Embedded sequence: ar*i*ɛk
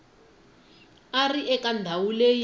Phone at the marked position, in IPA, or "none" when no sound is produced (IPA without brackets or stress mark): i